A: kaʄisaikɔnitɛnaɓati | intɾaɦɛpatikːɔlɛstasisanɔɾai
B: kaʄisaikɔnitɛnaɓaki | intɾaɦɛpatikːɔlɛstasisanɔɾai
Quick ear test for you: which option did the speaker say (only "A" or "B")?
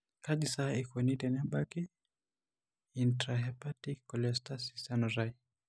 B